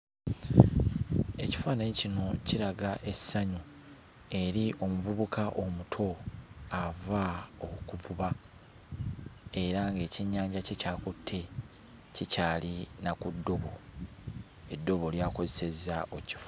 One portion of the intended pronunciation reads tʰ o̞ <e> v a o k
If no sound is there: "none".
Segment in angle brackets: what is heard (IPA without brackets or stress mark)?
a